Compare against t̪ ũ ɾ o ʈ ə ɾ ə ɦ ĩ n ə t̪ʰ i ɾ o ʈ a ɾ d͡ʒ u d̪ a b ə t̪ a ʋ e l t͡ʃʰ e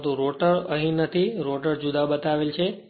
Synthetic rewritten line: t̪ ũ ɾ o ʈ ə ɾ ə ɦ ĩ n ə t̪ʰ i ɾ o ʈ ə ɾ d͡ʒ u d̪ a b ə t̪ a ʋ e l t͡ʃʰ e